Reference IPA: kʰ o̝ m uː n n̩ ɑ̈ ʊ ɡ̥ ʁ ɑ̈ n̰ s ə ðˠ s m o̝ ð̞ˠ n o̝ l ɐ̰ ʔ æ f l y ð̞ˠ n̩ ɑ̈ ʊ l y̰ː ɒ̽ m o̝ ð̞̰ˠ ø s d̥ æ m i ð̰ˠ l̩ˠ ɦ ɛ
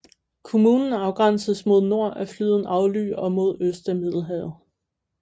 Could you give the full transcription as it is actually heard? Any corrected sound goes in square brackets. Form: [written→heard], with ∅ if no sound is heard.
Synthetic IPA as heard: kʰ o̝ m uː n n̩ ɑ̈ ʊ ɡ̥ ʁ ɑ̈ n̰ s ə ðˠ s m o̝ ð̞ˠ n o̝ [l→∅] ɐ̰ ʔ æ f l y ð̞ˠ n̩ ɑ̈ ʊ l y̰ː ɒ̽ m o̝ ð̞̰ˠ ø s d̥ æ m i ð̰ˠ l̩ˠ ɦ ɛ